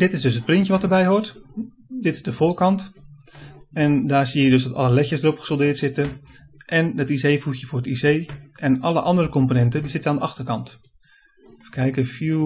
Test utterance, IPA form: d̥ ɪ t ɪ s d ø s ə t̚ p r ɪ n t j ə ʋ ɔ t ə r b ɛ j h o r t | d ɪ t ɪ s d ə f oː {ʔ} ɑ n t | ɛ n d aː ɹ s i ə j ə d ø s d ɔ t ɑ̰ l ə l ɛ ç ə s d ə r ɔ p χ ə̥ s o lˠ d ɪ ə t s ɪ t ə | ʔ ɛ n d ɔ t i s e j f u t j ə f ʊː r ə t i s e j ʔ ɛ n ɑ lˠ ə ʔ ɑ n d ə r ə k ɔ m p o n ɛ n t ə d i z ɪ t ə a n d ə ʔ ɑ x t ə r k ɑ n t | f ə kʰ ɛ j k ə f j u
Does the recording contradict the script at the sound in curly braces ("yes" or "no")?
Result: yes